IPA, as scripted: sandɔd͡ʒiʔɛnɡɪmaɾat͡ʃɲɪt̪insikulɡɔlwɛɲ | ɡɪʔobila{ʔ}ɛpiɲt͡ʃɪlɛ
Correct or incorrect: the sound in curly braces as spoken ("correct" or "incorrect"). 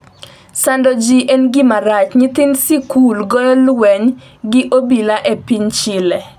correct